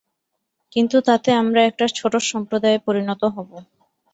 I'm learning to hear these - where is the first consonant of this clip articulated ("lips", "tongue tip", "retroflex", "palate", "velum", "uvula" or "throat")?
velum